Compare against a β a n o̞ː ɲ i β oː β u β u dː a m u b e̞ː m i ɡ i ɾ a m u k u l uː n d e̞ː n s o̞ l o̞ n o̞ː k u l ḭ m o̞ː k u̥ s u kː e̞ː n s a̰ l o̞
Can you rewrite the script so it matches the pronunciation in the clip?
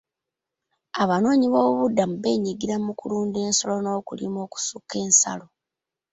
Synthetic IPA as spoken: a β a n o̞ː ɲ i β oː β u β u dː a m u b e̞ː ɲ i ɡ i ɾ a m u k u l uː n d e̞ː n s o̞ l o̞ n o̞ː k u l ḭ m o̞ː k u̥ s u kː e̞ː n s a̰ l o̞